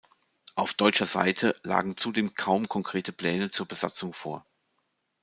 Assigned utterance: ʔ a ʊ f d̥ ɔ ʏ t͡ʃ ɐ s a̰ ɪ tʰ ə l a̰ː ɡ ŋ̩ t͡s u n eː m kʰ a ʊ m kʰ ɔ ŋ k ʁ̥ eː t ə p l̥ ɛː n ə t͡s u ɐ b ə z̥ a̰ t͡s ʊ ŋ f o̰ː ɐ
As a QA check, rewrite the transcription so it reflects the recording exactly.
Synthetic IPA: ʔ a ʊ f d̥ ɔ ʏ t͡ʃ ɐ z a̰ ɪ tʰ ə l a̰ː ɡ ŋ̩ t͡s u d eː m kʰ a ʊ m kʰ ɔ ŋ k ʁ̥ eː t ə p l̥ ɛː n ə t͡s uː ɐ b ə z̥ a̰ t͡s ʊ ŋ f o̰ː ɐ